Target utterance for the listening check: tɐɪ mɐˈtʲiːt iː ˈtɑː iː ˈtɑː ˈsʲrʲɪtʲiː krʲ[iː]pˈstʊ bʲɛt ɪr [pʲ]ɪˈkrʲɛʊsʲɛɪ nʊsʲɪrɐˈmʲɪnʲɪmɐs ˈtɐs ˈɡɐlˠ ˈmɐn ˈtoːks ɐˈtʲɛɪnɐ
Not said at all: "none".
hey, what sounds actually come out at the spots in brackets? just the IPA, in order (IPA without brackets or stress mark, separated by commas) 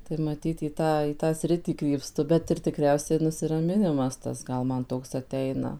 iː, tʲ